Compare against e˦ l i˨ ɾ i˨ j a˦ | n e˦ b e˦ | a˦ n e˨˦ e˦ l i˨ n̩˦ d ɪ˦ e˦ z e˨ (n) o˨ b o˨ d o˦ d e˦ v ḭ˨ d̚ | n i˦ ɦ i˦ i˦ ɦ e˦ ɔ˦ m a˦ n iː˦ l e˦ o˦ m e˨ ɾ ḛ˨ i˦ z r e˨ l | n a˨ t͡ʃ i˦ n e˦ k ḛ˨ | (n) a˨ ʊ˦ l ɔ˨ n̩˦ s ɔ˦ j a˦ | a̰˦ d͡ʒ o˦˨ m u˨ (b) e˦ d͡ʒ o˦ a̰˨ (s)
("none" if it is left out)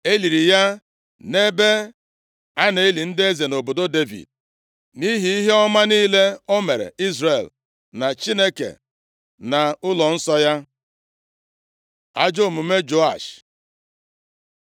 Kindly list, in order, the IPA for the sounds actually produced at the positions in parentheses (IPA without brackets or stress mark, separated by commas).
n, n, m, ʃ